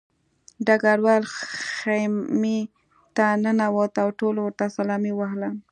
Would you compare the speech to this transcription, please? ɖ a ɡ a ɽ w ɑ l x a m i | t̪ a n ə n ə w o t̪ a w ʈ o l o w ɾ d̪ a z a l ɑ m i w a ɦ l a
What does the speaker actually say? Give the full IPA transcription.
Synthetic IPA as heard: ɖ a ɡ a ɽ w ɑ l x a m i | t̪ a n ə n a w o t̪ a w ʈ o l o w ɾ t̪ a s a l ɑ m i w a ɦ l a